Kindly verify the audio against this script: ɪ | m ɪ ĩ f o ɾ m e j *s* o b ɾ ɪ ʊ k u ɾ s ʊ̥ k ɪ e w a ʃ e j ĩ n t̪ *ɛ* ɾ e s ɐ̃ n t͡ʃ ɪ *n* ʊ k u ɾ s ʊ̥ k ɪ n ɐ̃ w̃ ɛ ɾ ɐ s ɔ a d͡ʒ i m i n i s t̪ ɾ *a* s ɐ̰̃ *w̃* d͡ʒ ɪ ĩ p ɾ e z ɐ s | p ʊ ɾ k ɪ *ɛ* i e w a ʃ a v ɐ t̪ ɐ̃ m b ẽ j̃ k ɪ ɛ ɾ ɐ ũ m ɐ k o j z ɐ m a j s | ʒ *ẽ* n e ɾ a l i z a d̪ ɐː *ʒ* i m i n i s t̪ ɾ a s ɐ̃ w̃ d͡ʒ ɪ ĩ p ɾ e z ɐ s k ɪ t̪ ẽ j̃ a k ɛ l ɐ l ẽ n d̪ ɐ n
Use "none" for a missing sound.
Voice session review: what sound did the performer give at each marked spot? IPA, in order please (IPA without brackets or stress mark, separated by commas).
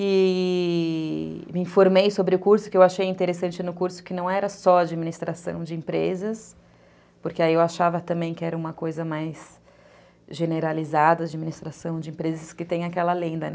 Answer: s, e, n, a, w̃, a, e, d͡ʒ